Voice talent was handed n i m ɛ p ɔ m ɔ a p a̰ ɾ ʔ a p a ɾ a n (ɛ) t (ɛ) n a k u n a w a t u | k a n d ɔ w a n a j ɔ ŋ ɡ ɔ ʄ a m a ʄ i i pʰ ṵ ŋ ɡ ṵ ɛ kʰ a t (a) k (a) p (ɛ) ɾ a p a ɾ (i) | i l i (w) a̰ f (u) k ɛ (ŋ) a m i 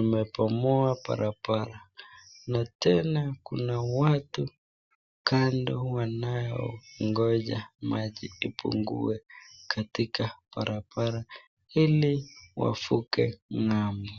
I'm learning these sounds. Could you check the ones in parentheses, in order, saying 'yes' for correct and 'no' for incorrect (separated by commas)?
no, yes, no, yes, no, no, yes, yes, yes